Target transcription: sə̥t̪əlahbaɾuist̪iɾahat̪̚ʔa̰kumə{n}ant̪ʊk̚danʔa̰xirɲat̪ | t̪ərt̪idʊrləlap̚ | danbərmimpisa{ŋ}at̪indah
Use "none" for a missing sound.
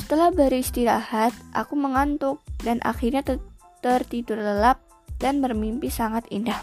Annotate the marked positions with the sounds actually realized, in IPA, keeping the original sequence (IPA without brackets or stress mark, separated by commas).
ŋ, ŋ